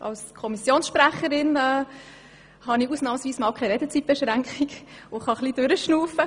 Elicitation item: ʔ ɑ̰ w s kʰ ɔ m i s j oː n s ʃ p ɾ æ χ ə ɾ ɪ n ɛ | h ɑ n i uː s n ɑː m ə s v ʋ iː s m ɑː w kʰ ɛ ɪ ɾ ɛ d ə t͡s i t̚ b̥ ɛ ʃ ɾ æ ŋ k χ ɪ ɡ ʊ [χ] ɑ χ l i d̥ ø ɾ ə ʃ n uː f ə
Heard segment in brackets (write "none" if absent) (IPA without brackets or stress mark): χ